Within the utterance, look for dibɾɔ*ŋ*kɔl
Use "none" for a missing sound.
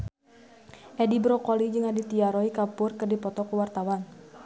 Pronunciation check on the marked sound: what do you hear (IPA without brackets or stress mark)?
none